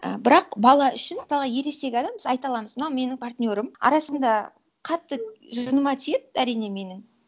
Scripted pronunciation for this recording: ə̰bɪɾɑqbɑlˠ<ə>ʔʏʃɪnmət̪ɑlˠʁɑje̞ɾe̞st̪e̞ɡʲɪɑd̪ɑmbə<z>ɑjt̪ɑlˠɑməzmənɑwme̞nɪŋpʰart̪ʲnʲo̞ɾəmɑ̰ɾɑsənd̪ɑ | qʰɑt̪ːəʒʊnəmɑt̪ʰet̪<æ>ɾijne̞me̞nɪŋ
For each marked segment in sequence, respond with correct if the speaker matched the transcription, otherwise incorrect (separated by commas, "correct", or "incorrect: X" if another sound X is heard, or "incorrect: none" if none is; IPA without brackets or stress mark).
incorrect: ɑ, correct, correct